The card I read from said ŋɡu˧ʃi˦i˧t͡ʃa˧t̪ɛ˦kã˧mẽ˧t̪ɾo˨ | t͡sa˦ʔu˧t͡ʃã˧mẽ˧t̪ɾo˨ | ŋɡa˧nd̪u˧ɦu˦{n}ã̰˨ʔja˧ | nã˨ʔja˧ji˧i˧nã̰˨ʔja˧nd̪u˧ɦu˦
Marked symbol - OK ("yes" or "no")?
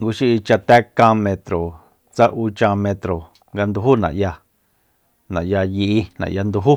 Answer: yes